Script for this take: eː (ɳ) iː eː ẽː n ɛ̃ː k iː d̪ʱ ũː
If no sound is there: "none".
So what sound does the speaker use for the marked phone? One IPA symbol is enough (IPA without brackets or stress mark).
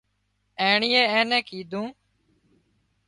ɳ